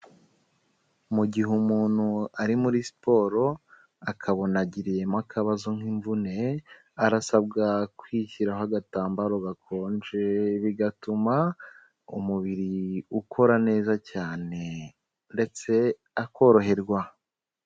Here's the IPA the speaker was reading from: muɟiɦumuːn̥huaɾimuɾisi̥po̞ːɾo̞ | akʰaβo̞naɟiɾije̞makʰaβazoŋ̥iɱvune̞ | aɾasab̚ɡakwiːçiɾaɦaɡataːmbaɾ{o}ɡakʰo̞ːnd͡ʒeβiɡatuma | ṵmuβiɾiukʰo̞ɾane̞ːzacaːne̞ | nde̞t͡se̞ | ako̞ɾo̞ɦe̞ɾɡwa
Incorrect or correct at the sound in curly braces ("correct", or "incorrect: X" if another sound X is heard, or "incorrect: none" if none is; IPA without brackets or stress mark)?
correct